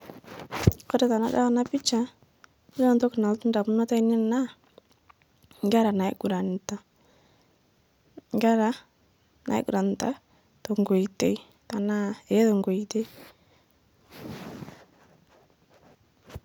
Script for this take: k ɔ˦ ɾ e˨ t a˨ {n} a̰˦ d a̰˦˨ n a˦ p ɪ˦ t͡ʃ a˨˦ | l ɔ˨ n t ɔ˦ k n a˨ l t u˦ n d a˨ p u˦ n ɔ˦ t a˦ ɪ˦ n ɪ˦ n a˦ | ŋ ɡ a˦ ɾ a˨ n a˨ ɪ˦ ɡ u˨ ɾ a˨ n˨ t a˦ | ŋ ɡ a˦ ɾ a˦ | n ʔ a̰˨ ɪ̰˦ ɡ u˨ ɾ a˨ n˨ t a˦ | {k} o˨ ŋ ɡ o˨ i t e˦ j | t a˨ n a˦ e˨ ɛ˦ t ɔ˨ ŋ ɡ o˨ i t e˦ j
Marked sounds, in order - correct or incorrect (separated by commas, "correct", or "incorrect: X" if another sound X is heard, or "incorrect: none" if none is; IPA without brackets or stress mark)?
correct, incorrect: t